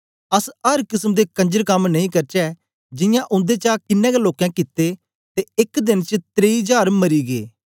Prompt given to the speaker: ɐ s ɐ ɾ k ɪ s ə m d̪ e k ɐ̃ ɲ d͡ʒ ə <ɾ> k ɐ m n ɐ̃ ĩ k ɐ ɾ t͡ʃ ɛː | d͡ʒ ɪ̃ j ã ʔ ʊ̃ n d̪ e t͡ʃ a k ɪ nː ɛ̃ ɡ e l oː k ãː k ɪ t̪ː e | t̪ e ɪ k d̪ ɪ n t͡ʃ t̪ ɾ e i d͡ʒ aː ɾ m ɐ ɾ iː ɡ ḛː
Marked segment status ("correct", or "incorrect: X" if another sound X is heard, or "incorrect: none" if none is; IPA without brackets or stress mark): correct